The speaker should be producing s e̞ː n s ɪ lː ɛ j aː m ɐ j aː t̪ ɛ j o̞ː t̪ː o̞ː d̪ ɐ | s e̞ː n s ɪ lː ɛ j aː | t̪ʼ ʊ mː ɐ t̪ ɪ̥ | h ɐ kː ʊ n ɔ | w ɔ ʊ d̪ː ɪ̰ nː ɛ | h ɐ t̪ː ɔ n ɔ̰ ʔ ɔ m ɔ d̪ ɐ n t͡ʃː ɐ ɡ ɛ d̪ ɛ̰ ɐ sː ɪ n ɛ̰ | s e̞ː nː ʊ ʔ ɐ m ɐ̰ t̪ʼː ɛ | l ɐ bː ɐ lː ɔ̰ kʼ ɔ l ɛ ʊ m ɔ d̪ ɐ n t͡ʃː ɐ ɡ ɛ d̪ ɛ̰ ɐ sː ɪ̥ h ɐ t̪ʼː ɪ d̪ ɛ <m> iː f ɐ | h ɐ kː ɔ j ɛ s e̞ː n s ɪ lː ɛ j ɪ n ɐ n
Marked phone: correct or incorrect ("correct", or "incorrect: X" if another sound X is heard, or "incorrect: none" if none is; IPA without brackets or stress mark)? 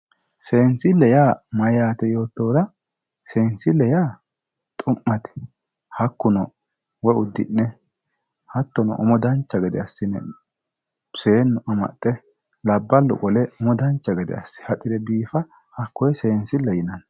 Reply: incorrect: b